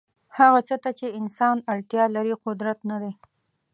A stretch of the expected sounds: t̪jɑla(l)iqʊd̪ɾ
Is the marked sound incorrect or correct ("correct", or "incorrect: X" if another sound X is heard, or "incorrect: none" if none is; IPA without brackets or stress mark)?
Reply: incorrect: ɾ